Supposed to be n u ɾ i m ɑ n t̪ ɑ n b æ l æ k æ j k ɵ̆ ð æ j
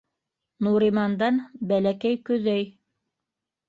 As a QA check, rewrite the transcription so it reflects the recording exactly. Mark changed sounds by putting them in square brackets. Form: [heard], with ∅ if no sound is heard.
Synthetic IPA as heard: n u ɾ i m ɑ n [d̪] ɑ n b æ l æ k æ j k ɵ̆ ð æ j